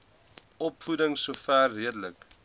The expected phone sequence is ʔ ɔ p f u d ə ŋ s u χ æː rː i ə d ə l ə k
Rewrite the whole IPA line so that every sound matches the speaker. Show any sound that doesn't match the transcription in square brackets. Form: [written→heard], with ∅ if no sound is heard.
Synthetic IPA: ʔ ɔ p f u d ə ŋ s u [χ→f] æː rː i ə d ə l ə k